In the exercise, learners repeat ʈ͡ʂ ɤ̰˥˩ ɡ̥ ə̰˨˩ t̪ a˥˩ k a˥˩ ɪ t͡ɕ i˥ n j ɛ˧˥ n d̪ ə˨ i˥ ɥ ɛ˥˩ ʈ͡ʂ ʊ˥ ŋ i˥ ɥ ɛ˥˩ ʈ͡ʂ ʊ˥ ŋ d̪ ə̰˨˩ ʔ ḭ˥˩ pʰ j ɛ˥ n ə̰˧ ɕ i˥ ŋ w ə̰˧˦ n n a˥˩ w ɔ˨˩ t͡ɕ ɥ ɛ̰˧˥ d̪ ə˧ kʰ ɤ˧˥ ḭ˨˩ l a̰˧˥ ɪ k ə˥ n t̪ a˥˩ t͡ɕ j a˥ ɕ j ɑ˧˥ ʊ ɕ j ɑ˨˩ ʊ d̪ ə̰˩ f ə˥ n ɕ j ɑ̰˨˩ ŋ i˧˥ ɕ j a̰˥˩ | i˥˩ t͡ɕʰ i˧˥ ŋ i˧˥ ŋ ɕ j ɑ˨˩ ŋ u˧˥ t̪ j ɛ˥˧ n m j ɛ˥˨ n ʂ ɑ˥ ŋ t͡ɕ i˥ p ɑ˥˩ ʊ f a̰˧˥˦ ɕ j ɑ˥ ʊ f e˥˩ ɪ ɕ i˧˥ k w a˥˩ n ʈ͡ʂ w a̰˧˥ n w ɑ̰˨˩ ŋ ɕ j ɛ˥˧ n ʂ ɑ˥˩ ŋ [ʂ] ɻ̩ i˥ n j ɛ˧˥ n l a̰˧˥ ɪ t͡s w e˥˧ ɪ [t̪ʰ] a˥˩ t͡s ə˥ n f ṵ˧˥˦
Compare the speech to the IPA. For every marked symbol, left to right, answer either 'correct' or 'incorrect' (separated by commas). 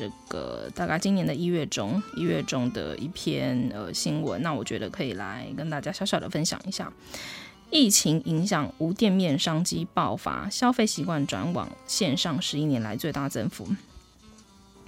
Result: correct, incorrect